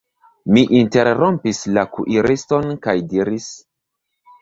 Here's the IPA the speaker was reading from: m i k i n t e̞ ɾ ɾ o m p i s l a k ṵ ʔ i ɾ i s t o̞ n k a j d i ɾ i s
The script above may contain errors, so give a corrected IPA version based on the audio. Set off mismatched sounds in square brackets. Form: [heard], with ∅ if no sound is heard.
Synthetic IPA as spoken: m i [ʔ] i n t e̞ ɾ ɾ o m p i s l a k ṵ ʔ i ɾ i s t o̞ n k a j d i ɾ i s